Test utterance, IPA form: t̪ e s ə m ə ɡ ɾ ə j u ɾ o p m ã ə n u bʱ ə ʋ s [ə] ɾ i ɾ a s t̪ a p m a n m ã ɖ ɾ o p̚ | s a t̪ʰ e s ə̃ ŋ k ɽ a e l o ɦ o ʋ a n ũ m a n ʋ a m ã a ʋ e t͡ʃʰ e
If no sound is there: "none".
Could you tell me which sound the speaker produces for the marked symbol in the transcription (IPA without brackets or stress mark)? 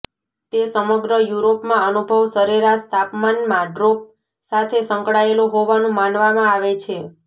ə